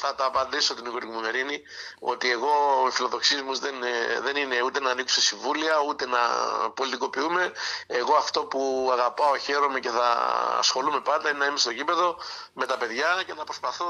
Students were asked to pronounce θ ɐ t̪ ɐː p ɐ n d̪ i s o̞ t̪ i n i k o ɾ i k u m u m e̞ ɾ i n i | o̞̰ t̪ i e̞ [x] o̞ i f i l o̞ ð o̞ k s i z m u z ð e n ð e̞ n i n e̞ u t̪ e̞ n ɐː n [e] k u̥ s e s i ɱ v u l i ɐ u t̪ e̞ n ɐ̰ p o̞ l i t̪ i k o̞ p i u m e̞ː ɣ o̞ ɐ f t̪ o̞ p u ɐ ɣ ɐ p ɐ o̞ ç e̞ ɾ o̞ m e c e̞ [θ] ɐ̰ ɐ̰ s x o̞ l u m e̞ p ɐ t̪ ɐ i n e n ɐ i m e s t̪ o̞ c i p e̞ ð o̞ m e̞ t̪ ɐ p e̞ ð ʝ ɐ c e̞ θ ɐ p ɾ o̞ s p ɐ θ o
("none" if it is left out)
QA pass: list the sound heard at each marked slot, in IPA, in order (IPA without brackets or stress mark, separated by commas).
ɣ, i, θ